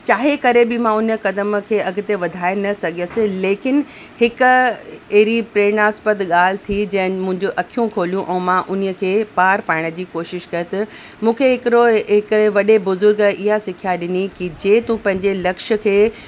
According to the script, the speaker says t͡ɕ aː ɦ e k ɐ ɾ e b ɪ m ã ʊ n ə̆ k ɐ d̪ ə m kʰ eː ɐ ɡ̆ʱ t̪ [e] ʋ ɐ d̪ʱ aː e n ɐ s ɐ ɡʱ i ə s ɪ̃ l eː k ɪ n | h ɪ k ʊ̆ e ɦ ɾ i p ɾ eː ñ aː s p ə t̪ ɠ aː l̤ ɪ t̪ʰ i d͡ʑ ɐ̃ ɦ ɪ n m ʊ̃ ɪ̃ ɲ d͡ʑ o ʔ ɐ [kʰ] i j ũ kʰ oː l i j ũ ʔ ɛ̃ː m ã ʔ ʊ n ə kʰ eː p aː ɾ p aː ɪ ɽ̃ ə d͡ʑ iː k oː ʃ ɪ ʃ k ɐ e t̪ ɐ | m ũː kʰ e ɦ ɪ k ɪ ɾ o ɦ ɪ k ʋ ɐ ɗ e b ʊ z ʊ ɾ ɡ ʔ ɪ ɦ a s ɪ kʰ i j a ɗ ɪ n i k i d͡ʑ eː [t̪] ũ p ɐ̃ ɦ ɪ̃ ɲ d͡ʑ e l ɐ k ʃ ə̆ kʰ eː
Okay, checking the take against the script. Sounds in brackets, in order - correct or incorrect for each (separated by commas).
correct, correct, correct